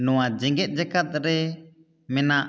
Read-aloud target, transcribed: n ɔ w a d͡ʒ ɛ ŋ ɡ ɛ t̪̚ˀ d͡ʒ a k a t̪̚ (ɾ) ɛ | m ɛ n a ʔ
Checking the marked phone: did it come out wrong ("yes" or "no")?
no